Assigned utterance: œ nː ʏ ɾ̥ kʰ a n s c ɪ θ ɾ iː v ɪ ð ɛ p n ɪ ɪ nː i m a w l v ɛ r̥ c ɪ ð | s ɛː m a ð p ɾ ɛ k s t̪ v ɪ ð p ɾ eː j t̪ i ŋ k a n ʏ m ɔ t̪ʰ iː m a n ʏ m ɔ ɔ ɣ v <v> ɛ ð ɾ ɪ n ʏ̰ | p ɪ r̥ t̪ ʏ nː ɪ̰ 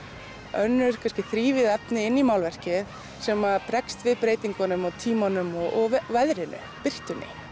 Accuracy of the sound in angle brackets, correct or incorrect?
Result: correct